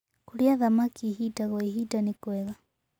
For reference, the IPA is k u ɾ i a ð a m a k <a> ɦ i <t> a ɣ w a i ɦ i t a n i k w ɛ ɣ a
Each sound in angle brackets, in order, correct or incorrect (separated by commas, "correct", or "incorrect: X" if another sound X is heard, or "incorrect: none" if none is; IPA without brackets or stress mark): incorrect: i, correct